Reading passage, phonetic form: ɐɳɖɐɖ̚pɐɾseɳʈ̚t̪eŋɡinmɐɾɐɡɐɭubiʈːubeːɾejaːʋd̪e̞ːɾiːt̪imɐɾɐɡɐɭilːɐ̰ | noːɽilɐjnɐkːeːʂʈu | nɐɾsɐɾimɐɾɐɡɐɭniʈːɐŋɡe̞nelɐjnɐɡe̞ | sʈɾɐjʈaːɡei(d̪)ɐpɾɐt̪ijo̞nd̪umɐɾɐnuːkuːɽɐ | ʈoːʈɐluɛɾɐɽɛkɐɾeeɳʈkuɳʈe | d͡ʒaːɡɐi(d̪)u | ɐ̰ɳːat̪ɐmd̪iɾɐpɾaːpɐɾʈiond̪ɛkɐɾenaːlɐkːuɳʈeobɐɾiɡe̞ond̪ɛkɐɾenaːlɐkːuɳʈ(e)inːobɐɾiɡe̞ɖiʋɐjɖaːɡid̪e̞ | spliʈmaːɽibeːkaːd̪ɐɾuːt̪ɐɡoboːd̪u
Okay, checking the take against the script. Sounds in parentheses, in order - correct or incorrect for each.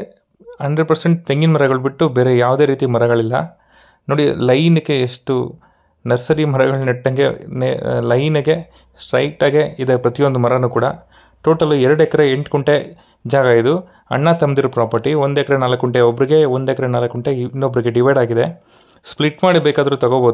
correct, correct, correct

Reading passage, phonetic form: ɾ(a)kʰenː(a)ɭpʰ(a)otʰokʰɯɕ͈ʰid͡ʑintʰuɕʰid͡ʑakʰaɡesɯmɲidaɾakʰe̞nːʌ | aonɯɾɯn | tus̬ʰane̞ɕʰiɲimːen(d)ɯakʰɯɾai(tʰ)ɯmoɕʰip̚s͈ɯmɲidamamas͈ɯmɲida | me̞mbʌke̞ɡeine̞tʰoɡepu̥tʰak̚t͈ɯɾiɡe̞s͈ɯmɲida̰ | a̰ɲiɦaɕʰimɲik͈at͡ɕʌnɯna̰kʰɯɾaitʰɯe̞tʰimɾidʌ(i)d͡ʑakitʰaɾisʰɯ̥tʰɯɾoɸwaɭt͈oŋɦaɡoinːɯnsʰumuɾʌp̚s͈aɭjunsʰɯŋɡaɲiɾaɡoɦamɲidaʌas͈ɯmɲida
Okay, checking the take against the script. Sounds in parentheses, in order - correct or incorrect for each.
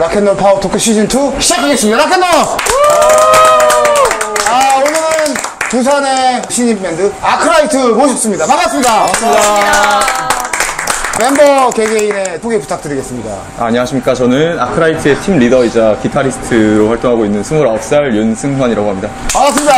correct, incorrect: ʌ, correct, correct, correct, correct

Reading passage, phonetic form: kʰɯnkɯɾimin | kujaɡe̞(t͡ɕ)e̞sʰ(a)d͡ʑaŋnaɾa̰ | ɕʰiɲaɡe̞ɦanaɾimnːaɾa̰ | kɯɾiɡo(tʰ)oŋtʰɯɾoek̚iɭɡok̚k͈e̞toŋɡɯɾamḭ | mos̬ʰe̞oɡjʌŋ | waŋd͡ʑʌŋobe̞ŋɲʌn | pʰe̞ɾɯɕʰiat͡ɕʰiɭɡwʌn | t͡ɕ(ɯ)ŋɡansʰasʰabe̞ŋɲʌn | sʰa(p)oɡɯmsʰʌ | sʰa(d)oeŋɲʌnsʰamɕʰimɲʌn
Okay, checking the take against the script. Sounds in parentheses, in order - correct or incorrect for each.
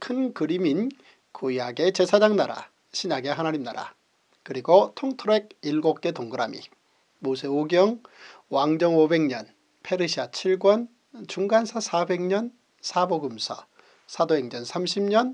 correct, correct, correct, incorrect: u, incorrect: b, correct

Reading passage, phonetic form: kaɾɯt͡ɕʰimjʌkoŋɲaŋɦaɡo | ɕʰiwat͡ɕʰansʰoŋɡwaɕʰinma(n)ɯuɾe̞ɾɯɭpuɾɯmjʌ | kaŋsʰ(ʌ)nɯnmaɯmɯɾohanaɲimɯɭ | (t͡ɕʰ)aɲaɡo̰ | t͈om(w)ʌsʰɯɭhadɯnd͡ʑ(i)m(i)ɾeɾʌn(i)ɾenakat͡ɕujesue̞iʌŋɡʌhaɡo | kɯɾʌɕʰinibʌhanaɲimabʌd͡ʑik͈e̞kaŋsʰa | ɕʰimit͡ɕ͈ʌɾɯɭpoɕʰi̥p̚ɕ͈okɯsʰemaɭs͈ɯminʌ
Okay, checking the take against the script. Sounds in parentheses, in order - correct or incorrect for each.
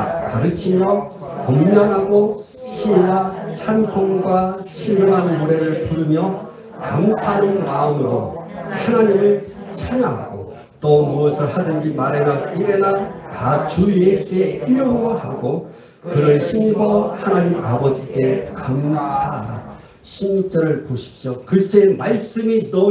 correct, incorrect: a, correct, incorrect: u, correct, incorrect: a, correct

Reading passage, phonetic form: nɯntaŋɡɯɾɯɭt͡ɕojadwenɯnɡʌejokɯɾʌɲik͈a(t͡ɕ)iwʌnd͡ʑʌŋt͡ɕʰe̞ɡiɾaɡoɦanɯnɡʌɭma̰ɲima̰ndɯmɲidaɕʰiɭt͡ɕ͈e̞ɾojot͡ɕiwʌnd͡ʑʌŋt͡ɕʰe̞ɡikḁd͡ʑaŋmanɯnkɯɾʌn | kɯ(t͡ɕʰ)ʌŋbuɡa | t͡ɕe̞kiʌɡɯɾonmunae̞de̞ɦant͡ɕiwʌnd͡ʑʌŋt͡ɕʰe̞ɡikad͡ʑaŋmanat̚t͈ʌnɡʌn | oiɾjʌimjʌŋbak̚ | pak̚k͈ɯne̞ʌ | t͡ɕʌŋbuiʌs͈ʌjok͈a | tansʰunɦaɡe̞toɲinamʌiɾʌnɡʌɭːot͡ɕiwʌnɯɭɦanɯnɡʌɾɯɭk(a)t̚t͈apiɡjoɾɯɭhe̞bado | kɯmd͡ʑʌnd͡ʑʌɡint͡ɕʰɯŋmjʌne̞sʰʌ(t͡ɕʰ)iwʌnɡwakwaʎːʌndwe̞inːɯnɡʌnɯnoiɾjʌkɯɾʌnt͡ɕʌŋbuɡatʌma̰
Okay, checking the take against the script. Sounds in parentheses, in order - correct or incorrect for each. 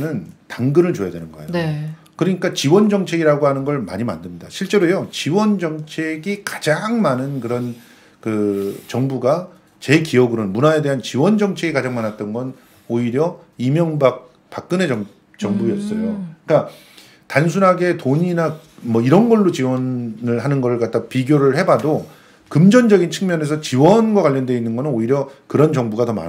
correct, incorrect: t͡ɕ, correct, incorrect: t͡ɕ

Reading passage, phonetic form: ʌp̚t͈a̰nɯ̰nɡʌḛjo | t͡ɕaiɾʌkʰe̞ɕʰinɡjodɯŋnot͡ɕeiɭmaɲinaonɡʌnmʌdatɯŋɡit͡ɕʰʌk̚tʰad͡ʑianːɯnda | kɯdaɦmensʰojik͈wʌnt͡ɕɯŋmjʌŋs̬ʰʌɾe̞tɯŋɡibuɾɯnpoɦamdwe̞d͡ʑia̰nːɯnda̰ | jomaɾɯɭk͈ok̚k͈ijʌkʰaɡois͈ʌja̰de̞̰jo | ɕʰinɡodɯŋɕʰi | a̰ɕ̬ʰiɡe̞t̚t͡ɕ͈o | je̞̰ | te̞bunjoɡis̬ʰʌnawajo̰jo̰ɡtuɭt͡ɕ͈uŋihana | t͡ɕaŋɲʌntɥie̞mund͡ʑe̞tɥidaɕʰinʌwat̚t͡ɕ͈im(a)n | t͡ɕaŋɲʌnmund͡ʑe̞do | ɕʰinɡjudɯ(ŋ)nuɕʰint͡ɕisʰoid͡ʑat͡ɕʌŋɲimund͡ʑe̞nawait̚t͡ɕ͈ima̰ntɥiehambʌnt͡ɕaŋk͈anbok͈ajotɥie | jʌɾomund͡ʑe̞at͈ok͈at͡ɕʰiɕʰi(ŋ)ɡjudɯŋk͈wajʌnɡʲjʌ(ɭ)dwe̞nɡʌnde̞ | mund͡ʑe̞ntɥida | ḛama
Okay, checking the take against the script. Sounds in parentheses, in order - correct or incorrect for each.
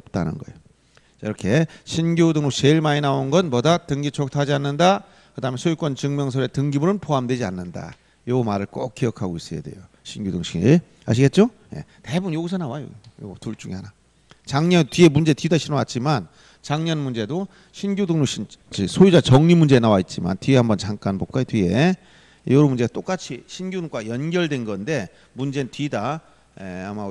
correct, correct, incorrect: n, correct

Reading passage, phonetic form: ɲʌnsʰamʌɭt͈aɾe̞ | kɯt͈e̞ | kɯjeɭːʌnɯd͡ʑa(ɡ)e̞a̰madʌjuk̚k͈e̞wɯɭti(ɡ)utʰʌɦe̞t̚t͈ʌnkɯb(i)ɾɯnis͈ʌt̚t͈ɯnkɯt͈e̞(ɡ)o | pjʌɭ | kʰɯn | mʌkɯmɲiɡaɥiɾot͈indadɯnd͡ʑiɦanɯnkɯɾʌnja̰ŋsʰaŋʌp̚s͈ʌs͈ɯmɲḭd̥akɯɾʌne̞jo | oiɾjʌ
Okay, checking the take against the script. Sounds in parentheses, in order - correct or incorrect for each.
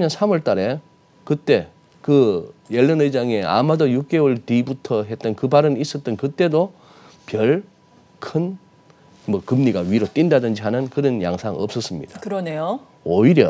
incorrect: ŋ, incorrect: b, incorrect: a, incorrect: d

